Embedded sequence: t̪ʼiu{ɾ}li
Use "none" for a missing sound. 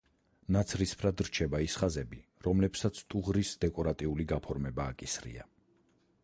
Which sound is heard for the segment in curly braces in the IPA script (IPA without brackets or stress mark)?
none